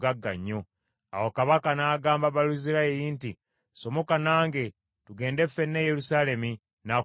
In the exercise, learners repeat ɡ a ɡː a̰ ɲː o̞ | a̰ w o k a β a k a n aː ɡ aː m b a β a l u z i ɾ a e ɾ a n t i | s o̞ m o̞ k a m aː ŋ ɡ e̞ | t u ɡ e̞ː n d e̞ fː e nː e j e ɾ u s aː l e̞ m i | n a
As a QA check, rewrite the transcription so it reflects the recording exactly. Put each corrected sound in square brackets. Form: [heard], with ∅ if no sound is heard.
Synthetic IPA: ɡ a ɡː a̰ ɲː o̞ | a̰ w o k a β a k a n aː ɡ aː m b a β a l u z i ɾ a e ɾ [i] n t i | s o̞ m o̞ k a [n] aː ŋ ɡ e̞ | t u ɡ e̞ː n d e̞ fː e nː e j e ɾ u s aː l e̞ m i | n a